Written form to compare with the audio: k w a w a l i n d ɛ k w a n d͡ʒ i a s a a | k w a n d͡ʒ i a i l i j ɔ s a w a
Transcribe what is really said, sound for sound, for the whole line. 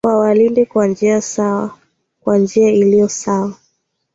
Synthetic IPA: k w a w a l i n d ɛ k w a n d͡ʒ i a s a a | k w a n d͡ʒ i a i l i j ɔ s a w a